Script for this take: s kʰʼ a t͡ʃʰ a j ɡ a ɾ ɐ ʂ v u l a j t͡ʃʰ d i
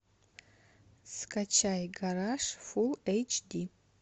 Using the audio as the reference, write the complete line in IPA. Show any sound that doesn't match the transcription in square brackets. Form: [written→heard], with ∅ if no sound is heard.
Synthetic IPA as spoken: s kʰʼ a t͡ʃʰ a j ɡ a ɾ [ɐ→a] ʂ [v→f] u l [a→e] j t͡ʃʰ d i